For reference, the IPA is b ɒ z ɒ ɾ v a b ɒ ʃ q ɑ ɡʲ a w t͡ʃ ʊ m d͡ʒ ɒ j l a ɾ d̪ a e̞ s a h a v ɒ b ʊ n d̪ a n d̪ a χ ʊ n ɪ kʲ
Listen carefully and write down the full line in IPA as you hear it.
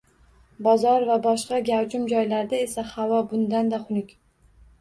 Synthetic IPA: b ɒ z ɒ ɾ v a b ɒ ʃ q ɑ ɡʲ a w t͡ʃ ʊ m d͡ʒ ɒ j l a ɾ d̪ a e̞ s a h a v ɒ b ʊ n d̪ a n d̪ a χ ʊ n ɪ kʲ